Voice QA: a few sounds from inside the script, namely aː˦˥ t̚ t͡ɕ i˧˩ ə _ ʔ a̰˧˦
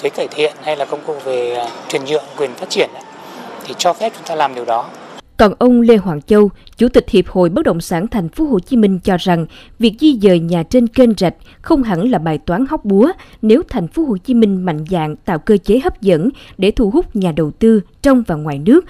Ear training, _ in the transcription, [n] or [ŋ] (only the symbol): n